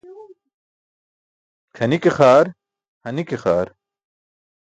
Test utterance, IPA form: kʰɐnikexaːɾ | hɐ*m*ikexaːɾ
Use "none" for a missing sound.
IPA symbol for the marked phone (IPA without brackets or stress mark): n